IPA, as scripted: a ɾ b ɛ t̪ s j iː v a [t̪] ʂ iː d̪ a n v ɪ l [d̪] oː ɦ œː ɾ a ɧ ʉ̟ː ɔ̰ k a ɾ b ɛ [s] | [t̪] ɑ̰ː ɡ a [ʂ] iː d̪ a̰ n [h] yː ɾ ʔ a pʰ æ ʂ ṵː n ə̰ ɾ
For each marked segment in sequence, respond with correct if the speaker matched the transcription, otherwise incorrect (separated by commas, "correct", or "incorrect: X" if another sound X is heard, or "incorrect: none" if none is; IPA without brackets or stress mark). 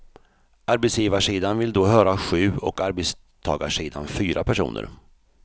incorrect: none, correct, correct, incorrect: t̪ʰ, correct, incorrect: f